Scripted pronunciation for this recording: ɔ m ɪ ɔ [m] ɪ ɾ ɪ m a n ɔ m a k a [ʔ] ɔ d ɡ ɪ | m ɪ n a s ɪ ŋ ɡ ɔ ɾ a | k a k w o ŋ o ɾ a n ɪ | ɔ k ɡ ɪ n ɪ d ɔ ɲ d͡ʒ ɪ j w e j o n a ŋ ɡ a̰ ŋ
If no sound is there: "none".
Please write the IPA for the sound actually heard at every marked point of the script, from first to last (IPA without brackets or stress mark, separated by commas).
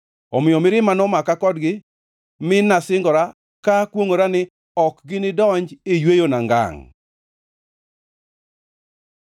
m, k